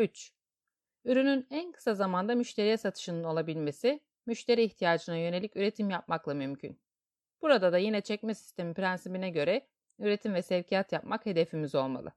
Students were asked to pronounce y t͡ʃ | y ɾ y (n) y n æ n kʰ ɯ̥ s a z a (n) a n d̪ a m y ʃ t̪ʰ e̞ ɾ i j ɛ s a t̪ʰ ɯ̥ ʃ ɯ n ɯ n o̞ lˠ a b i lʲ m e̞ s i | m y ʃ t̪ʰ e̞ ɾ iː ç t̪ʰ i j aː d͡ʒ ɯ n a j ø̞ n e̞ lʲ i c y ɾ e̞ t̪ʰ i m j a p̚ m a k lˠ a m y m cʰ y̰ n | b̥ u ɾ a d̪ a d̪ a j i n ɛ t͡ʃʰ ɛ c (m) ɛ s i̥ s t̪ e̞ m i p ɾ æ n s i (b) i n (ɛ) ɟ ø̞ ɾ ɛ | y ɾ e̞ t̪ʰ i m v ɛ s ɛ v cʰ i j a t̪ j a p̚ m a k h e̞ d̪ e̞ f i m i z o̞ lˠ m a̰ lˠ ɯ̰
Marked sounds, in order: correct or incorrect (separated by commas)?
correct, incorrect, correct, correct, correct